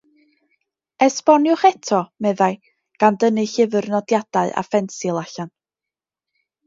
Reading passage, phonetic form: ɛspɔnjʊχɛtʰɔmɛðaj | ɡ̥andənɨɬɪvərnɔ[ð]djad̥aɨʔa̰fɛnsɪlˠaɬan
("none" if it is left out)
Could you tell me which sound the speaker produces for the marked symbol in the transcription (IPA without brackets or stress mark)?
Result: none